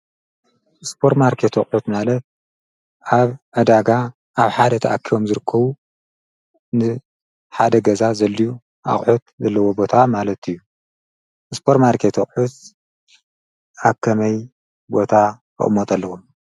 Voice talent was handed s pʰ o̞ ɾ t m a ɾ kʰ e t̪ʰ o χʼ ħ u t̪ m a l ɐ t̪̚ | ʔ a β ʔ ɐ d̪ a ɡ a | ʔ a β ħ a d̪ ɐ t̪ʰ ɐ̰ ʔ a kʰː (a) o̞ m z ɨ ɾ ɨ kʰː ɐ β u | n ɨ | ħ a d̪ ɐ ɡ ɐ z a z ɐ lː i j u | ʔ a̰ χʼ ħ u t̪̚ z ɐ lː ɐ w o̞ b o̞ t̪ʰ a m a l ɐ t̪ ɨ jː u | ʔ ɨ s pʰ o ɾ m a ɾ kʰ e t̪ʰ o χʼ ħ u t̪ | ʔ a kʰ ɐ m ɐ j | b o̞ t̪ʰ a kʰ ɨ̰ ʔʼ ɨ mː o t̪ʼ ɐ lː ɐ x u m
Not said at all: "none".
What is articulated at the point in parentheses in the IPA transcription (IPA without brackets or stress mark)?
i